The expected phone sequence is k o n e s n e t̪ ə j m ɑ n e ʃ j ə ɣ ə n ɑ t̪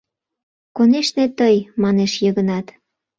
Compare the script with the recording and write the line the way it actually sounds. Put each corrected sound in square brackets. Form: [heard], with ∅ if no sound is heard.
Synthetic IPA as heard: k o n e [ʃ] n e t̪ ə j m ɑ n e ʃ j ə ɣ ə n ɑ t̪